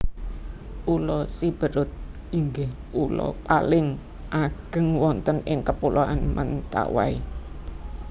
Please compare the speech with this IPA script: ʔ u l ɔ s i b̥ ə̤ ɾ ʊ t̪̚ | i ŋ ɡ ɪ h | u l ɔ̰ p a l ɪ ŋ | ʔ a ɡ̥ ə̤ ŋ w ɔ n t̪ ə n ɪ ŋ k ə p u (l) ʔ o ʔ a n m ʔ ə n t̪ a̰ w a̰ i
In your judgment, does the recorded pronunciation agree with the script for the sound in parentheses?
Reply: yes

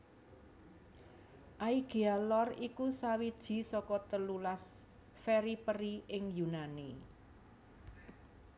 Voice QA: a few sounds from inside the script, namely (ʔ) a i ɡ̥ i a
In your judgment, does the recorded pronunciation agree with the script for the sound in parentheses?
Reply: yes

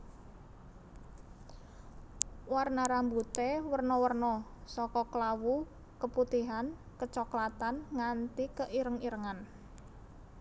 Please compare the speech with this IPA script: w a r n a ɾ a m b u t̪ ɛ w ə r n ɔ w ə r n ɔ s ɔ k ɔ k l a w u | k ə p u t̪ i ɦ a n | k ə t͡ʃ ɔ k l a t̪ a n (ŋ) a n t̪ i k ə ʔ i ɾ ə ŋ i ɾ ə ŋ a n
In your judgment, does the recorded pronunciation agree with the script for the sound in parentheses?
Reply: yes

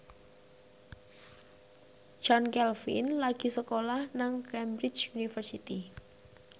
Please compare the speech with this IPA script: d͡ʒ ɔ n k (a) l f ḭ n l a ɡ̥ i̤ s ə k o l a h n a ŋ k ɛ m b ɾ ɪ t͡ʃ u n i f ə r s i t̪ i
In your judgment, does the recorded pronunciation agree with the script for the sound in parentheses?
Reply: no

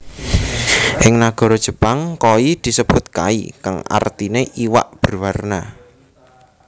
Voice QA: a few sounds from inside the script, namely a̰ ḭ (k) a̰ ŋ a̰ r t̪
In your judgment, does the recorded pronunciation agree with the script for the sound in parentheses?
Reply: yes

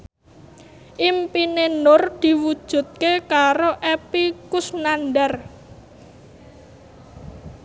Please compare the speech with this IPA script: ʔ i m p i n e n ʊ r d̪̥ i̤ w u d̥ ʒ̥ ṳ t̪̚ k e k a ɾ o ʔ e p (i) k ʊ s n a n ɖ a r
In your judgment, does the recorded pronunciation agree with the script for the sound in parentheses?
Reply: yes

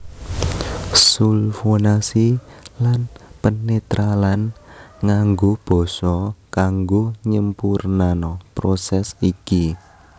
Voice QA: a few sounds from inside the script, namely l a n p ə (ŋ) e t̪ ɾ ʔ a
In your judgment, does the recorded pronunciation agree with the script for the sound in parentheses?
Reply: no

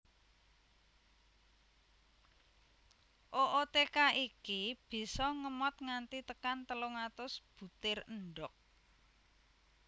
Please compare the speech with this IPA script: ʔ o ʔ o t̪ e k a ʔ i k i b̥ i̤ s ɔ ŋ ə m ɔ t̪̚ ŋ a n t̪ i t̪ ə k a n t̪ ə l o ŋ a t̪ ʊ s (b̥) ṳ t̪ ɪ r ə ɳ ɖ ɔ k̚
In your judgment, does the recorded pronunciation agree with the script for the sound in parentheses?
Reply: yes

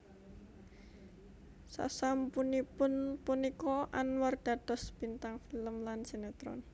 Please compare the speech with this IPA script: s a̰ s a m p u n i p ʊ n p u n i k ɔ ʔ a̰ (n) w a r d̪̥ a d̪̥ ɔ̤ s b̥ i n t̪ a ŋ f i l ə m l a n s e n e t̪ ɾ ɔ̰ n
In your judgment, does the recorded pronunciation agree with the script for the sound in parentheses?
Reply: yes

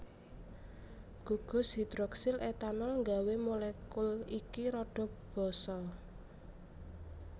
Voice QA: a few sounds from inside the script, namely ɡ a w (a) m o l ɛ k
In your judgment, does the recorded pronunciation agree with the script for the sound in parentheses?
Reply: no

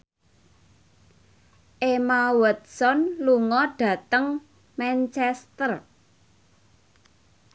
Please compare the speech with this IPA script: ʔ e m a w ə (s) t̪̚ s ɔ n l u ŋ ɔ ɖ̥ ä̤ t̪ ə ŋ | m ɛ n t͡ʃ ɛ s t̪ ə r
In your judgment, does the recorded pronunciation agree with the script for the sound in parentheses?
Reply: no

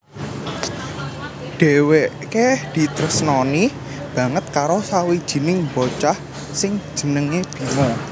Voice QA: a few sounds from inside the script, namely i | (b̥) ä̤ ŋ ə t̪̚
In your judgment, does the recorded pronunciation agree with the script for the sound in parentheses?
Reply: yes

